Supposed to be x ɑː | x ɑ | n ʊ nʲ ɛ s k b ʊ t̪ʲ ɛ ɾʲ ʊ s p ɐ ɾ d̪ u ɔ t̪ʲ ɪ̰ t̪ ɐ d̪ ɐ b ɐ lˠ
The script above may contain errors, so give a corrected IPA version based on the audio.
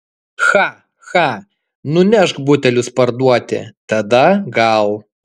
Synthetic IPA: x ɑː | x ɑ | n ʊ nʲ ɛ ʃ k b ʊ t̪ʲ ɛ lʲ ʊ s p ɐ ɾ d̪ u ɔ t̪ʲ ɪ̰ t̪ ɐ d̪ ɐ ɡ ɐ lˠ

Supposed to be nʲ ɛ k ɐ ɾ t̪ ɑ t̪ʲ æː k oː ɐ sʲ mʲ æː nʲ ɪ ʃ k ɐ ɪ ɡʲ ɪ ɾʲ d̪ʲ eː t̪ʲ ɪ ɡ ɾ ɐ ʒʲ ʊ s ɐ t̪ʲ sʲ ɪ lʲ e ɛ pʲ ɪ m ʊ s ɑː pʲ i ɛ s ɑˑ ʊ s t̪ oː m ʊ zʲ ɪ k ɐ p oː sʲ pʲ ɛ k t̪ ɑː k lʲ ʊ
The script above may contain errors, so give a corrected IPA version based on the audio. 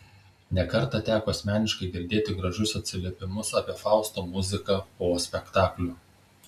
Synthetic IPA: nʲ ɛ k ɐ ɾ t̪ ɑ t̪ʲ æː k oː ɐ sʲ mʲ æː nʲ ɪ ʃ k ɐ ɪ ɡʲ ɪ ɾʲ d̪ʲ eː t̪ʲ ɪ ɡ ɾ ɐ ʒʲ ʊ s ɐ t̪ʲ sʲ ɪ lʲ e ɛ pʲ ɪ m ʊ s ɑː pʲ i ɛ f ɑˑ ʊ s t̪ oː m ʊ zʲ ɪ k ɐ p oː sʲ pʲ ɛ k t̪ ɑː k lʲ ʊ

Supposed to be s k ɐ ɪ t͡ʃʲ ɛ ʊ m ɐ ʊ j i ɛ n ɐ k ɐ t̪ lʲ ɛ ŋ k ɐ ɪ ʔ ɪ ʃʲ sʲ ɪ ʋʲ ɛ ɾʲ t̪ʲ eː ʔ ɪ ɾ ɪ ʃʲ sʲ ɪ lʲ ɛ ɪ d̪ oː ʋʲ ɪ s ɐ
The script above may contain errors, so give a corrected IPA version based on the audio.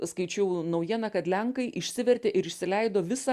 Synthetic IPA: s k ɐ ɪ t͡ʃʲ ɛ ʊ n ɐ ʊ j i ɛ n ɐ k ɐ t̪ lʲ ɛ ŋ k ɐ ɪ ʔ ɪ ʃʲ sʲ ɪ ʋʲ ɛ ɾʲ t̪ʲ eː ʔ ɪ ɾ ɪ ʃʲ sʲ ɪ lʲ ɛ ɪ d̪ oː ʋʲ ɪ s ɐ

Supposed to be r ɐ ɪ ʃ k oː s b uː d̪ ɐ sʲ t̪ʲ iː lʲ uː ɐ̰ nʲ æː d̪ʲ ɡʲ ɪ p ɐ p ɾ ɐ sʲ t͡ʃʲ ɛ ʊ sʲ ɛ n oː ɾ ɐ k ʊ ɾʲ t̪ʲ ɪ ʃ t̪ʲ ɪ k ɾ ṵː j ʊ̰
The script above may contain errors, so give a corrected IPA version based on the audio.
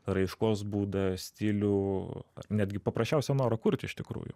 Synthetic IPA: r ɐ ɪ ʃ k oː s b uː d̪ ɐ sʲ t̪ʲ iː lʲ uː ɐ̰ nʲ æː d̪ʲ ɡʲ ɪ p ɐ p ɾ ɐ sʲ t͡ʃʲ ɛ ʊ sʲ ɛ n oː ɾ ɐ k ʊ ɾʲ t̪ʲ ɪ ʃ t̪ʲ ɪ k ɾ ṵː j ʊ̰

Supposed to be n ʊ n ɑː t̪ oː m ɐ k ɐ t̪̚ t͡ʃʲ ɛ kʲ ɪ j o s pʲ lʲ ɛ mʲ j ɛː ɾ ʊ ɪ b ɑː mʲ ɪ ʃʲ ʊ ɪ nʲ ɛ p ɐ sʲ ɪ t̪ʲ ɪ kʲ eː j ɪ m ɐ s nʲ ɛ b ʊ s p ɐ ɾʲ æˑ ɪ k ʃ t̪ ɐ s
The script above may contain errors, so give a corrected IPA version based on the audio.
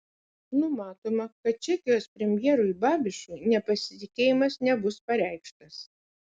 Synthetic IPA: n ʊ m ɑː t̪ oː m ɐ k ɐ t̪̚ t͡ʃʲ ɛ kʲ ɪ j o s pʲ ɾʲ ɛ mʲ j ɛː ɾ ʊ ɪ b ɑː bʲ ɪ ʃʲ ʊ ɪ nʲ ɛ p ɐ sʲ ɪ t̪ʲ ɪ kʲ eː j ɪ m ɐ s nʲ ɛ b ʊ s p ɐ ɾʲ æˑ ɪ k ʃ t̪ ɐ s

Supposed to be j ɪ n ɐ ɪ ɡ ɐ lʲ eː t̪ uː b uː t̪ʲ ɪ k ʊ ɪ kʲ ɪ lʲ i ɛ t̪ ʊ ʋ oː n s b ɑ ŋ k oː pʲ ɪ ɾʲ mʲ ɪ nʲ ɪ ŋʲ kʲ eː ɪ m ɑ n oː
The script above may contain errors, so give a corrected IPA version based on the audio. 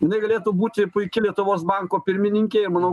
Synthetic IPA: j ɪ n ɐ ɪ ɡ ɐ lʲ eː t̪ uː b uː t̪ʲ ɪ p ʊ ɪ kʲ ɪ lʲ i ɛ t̪ ʊ ʋ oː s b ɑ ŋ k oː pʲ ɪ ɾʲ mʲ ɪ nʲ ɪ ŋʲ kʲ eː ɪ m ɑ n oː

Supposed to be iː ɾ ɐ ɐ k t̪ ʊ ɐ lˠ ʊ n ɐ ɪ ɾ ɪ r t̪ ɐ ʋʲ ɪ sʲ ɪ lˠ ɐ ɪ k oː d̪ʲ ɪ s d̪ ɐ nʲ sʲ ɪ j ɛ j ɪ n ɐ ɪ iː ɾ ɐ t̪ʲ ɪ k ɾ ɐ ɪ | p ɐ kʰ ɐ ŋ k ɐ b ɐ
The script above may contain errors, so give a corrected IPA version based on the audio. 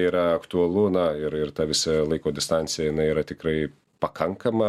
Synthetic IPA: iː ɾ ɐ ɐ k t̪ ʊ ɐ lˠ ʊ n ɐ ɪ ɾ ɪ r t̪ ɐ ʋʲ ɪ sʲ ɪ lˠ ɐ ɪ k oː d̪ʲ ɪ s t̪ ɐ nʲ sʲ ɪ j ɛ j ɪ n ɐ ɪ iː ɾ ɐ t̪ʲ ɪ k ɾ ɐ ɪ | p ɐ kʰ ɐ ŋ k ɐ m ɐ

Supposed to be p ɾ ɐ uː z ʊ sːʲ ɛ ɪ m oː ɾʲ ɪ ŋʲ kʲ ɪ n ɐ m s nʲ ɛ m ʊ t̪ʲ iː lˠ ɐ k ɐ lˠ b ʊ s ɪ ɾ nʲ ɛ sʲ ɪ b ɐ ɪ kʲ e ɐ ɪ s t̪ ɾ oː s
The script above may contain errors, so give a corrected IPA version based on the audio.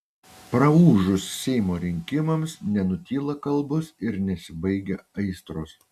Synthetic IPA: p ɾ ɐ uː ʒ ʊ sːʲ ɛ ɪ m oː ɾʲ ɪ ŋʲ kʲ ɪ m ɐ m s nʲ ɛ n ʊ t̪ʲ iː lˠ ɐ k ɐ lˠ b ʊ s ɪ ɾ nʲ ɛ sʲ ɪ b ɐ ɪ ɡʲ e ɐ ɪ s t̪ ɾ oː s

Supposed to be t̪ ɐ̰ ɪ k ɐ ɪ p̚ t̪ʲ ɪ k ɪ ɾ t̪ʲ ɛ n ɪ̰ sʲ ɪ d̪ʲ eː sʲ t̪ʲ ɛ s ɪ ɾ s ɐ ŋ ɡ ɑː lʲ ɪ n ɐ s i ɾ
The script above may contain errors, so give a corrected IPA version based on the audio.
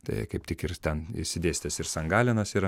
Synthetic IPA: t̪ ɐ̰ ɪ k ɐ ɪ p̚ t̪ʲ ɪ k ɪ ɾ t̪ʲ ɛ n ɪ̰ sʲ ɪ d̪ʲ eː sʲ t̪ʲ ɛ s ɪ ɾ s ɐ ŋ ɡ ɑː lʲ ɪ n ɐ s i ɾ

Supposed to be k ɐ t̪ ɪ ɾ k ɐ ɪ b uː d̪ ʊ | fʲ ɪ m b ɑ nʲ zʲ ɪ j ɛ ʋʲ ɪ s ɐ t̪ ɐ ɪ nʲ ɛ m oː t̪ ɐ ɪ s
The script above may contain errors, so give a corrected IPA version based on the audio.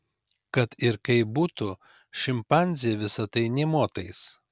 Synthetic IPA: k ɐ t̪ ɪ ɾ k ɐ ɪ b uː t̪ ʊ | ʃʲ ɪ m p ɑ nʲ zʲ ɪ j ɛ ʋʲ ɪ s ɐ t̪ ɐ ɪ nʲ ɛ m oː t̪ ɐ ɪ s

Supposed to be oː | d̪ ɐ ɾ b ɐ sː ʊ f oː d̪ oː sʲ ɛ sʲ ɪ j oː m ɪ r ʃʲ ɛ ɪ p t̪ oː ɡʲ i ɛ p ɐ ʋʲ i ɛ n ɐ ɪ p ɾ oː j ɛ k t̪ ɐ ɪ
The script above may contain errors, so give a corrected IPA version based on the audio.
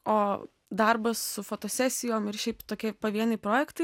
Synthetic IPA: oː | d̪ ɐ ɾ b ɐ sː ʊ f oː t̪ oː sʲ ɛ sʲ ɪ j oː m ɪ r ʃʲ ɛ ɪ p t̪ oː kʲ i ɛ p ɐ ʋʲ i ɛ n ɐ ɪ p ɾ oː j ɛ k t̪ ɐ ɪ

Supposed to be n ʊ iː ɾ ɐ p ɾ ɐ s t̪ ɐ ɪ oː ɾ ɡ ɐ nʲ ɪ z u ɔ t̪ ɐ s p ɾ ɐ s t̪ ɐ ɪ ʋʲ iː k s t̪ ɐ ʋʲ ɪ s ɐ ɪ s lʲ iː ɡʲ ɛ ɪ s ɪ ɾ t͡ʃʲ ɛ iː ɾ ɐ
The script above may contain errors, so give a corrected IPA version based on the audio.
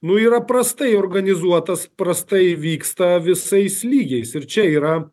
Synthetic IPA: n ʊ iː ɾ ɐ p ɾ ɐ s t̪ ɐ ɪ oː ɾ ɡ ɐ nʲ ɪ z u ɔ t̪ ɐ s p ɾ ɐ s t̪ ɐ ɪ ʋʲ iː k s t̪ ɐ ʋʲ ɪ s ɐ ɪ s lʲ iː ɡʲ ɛ ɪ s ɪ ɾ t͡ʃʲ ɛ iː ɾ ɐ

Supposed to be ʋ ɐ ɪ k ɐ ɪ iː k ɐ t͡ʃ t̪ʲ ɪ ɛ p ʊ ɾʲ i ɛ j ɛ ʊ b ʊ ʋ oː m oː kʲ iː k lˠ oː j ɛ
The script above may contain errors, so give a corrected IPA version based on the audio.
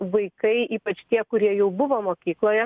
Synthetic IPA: ʋ ɐ ɪ k ɐ ɪ iː p ɐ t͡ʃ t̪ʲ i ɛ k ʊ ɾʲ i ɛ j ɛ ʊ b ʊ ʋ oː m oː kʲ iː k lˠ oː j ɛ

